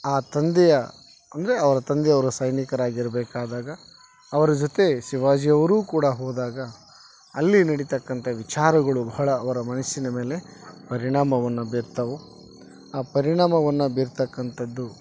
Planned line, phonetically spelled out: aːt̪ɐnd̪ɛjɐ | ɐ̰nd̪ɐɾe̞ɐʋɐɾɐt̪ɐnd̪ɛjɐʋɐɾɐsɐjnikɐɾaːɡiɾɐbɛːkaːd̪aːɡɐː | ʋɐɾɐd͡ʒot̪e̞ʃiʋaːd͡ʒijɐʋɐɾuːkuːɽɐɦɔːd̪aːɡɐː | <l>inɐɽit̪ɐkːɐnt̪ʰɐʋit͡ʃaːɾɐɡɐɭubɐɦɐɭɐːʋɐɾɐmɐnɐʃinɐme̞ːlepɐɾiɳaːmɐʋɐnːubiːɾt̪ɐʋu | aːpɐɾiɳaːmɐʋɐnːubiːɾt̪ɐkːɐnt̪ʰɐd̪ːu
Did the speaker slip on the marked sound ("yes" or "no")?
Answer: yes